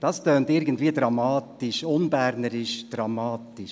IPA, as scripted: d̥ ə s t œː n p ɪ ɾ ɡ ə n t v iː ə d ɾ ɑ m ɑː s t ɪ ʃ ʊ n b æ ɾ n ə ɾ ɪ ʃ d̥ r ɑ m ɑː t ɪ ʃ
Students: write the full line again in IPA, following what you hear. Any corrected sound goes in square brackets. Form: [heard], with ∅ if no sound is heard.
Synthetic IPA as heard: d̥ [ɑ] s t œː n [t] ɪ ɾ ɡ ə n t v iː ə d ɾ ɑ m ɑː [∅] t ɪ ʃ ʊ n b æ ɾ n ə ɾ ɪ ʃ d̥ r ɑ m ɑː t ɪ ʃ